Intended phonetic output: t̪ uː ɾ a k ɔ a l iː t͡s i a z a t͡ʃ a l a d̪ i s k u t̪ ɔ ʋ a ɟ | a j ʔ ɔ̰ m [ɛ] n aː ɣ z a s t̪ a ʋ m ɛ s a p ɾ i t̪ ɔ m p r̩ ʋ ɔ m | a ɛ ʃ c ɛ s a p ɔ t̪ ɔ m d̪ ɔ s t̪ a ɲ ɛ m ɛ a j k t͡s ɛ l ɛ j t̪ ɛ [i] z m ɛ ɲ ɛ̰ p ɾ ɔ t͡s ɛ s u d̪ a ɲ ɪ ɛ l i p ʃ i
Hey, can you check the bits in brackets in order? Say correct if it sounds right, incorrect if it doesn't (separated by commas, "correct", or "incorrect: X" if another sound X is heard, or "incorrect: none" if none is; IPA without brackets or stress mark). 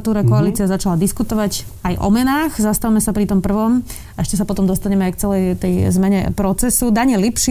correct, incorrect: j